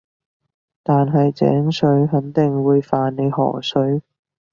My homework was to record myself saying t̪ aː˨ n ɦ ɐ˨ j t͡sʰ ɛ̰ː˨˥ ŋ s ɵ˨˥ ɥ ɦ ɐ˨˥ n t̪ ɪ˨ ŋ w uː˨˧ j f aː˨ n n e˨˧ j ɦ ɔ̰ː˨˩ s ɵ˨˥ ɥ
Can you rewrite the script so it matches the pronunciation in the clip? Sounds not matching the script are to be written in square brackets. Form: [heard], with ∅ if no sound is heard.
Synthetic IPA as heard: t̪ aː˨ n ɦ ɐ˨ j [t͡s] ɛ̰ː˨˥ ŋ s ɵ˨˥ ɥ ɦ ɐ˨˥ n t̪ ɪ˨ ŋ w uː˨˧ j f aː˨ n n e˨˧ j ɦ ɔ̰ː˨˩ s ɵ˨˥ ɥ